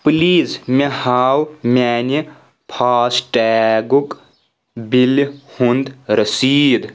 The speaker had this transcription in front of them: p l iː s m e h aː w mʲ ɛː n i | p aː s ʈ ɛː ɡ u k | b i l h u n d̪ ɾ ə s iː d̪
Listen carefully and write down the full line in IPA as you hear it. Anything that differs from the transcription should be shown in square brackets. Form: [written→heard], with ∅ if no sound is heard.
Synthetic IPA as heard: p l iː [s→z] m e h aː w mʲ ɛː n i | [p→pʰ] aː s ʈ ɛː ɡ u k | b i l h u n d̪ ɾ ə s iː d̪